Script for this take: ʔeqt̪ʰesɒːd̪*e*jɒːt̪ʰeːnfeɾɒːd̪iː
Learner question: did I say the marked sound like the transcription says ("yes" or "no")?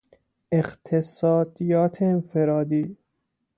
no